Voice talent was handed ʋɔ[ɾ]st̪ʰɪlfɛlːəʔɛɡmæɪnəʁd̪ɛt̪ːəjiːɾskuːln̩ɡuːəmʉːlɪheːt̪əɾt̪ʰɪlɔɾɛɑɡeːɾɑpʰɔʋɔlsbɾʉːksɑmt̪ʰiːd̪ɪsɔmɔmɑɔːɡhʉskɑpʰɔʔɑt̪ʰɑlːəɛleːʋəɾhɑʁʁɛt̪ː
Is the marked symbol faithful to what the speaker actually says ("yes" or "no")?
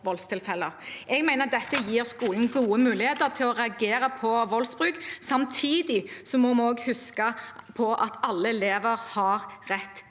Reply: no